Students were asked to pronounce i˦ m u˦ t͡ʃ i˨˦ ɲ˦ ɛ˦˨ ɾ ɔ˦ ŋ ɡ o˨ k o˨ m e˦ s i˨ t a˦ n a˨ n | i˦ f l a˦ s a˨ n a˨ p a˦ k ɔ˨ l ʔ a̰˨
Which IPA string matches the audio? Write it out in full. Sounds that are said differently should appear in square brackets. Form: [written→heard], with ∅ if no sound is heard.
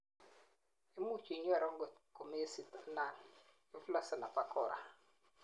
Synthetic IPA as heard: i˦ m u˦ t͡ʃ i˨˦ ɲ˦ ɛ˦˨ ɾ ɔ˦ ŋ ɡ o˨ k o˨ m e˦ s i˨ t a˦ n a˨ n | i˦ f l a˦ s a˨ n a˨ p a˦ k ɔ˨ [l→ɾ] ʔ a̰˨